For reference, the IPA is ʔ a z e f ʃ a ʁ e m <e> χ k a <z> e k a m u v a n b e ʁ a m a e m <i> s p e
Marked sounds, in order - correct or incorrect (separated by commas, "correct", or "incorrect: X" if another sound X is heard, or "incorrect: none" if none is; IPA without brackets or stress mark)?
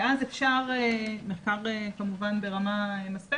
correct, incorrect: ʁ, incorrect: a